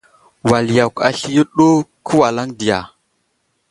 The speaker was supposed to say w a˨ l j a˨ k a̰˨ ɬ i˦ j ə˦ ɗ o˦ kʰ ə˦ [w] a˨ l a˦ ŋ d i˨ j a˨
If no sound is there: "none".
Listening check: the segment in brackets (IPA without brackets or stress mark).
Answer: w